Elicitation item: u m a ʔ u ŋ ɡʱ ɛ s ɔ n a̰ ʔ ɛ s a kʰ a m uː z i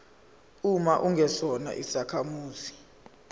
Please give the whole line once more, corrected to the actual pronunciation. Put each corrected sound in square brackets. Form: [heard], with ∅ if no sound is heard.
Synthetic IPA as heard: u m a ʔ u ŋ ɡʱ ɛ s ɔ n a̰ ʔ [i] s a kʰ a m uː z i